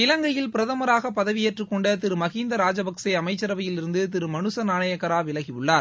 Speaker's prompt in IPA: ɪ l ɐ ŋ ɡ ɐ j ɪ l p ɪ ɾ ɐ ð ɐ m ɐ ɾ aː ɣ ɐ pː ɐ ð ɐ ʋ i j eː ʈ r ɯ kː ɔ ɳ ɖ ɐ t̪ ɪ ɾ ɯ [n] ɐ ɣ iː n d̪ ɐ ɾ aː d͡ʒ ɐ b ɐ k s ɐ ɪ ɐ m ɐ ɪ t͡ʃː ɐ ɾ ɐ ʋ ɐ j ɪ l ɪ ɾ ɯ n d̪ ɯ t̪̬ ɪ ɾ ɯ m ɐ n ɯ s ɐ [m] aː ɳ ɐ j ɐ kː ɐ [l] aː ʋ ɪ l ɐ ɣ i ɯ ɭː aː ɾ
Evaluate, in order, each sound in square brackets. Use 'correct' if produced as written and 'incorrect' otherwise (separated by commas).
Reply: incorrect, incorrect, incorrect